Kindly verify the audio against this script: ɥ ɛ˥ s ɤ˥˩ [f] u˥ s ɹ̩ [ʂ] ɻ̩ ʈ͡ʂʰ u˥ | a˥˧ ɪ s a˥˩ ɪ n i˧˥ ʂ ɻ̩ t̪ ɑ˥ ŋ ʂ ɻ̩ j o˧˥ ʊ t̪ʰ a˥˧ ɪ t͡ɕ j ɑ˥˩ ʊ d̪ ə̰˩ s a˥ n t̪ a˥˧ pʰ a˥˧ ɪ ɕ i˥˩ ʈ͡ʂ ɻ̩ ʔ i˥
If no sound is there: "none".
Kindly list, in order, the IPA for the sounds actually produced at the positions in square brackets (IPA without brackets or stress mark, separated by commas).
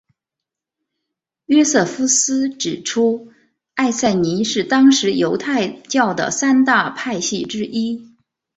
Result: f, ʈ͡ʂ